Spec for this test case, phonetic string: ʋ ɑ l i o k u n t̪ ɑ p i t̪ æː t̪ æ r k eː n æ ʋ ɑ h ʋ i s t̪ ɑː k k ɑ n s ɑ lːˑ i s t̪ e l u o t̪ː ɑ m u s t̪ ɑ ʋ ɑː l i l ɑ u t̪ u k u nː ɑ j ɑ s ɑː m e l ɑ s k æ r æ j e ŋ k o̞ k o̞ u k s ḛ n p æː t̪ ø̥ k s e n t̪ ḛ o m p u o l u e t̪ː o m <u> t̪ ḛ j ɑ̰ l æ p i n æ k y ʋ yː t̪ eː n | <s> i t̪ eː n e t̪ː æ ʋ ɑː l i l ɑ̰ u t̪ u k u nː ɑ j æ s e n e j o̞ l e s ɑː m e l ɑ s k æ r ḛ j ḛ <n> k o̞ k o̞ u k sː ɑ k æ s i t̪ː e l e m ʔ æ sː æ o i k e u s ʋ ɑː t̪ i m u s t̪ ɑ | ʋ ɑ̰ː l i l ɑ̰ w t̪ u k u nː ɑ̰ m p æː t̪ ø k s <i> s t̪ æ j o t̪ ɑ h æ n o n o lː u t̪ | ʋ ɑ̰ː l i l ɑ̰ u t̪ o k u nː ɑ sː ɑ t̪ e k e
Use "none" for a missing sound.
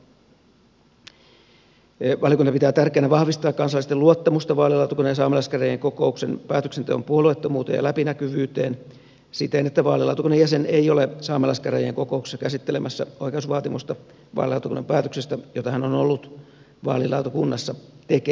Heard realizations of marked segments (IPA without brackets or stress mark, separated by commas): uː, s, ŋ, e